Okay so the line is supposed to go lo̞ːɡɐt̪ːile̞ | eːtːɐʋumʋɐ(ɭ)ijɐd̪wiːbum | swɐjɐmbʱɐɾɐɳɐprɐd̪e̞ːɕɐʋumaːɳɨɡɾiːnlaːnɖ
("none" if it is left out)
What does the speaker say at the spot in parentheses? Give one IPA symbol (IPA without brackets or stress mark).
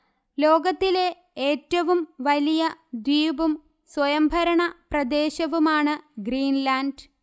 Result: l